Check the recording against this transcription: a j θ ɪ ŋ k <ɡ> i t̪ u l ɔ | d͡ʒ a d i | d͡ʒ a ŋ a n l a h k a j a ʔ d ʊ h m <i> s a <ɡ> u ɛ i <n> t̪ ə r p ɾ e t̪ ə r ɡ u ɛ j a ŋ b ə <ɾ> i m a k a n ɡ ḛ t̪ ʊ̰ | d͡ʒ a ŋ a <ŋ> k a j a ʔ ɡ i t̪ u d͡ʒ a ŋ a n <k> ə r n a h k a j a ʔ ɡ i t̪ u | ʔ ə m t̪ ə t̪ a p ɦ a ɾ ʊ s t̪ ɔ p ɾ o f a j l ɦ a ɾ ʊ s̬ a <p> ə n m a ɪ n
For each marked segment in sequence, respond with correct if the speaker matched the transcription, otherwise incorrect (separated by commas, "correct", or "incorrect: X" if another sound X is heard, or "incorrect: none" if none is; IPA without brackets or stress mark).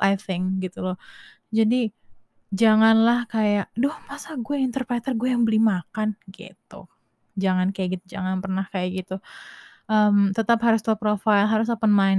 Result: correct, incorrect: a, correct, correct, incorrect: l, incorrect: n, incorrect: p, correct